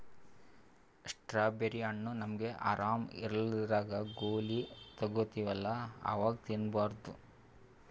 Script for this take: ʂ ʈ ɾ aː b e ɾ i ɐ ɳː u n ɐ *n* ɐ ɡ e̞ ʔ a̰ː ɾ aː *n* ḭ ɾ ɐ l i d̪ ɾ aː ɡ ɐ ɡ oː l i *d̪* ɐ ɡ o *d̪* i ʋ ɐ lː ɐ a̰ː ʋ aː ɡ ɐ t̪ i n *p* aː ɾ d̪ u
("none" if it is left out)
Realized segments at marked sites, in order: m, m, t̪, t̪, b

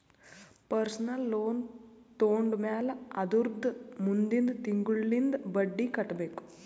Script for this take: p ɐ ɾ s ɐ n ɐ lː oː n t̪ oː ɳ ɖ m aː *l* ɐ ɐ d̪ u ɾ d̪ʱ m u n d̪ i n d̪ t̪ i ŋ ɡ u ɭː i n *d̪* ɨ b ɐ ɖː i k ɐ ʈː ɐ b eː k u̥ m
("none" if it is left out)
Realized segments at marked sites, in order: l, d̪

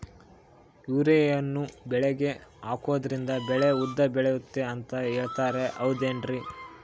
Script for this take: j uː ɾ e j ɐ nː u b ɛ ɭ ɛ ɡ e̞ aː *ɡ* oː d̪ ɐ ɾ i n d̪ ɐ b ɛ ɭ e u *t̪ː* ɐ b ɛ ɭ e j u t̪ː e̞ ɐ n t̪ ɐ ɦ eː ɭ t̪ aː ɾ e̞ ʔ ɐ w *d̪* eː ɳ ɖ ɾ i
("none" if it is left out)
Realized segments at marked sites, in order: k, d̪ː, d̪

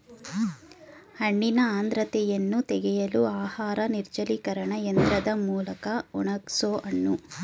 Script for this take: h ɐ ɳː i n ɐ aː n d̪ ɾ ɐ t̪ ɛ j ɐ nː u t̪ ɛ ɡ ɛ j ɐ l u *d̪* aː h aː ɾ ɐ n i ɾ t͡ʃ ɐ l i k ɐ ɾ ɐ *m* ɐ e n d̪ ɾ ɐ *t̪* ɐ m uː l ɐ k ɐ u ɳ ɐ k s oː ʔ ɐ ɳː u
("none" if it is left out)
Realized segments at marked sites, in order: none, ɳ, d̪

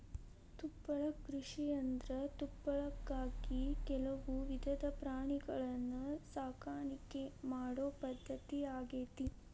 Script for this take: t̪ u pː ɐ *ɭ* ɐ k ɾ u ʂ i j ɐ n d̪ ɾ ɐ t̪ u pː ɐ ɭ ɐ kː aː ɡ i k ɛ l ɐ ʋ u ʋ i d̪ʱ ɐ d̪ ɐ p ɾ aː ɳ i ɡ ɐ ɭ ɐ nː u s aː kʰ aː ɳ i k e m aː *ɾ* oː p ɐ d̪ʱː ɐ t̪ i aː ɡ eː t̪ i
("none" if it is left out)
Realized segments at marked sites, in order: ɭ, ɽ

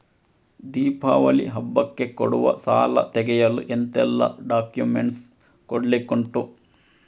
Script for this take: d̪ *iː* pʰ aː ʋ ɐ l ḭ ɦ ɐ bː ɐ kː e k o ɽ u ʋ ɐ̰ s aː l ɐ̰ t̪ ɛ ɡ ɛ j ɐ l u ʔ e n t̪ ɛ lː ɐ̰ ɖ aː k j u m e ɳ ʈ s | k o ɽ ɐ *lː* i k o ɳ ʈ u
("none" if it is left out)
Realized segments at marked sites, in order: iː, l

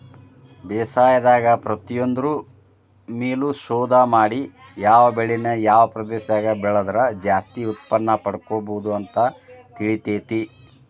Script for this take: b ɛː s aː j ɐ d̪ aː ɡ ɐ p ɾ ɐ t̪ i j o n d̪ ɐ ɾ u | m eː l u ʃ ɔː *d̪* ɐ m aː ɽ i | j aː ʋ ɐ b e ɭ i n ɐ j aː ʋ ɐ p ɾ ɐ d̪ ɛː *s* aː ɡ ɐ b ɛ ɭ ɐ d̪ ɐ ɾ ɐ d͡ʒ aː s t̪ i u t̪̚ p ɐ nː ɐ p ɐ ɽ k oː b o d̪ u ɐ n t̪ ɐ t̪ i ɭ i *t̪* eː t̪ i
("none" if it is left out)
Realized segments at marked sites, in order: d̪, ʃ, t̪

